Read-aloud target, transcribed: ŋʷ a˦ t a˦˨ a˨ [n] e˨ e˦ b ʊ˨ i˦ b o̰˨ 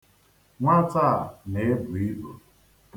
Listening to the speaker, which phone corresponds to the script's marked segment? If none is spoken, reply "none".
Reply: n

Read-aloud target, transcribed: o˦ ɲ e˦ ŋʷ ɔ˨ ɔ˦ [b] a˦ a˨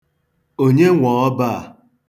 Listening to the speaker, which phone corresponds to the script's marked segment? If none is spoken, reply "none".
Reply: b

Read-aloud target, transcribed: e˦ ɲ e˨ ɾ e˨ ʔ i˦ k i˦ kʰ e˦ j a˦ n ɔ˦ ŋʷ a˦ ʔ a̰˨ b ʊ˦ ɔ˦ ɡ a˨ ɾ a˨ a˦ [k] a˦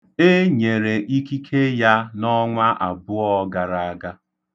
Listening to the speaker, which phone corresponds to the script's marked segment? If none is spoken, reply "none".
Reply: ɡ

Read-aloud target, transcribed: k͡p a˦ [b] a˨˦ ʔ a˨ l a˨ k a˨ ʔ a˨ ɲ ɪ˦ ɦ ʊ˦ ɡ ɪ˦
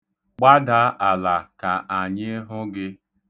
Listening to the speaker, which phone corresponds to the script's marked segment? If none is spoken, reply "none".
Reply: d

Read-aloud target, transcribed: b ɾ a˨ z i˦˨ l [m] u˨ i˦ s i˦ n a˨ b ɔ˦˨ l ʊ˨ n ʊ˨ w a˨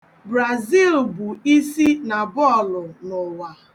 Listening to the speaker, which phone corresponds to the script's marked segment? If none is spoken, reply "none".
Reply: b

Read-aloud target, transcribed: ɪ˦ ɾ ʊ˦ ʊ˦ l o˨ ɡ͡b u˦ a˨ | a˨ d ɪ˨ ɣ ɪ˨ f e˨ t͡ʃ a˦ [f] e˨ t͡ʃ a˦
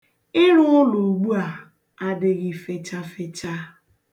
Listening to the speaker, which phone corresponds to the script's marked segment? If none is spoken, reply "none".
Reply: f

